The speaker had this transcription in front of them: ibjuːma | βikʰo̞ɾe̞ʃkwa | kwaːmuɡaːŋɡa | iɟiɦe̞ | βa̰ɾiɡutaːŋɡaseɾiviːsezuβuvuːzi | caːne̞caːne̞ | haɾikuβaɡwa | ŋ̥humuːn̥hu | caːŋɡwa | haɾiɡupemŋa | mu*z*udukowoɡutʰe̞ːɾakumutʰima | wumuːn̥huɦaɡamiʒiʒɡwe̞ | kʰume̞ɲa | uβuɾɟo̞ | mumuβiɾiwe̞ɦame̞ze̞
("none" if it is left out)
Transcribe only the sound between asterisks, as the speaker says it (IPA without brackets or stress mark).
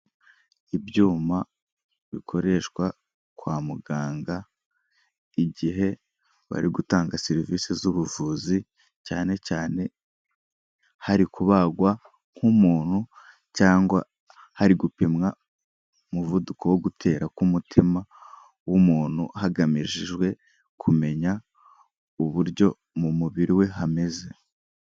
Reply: v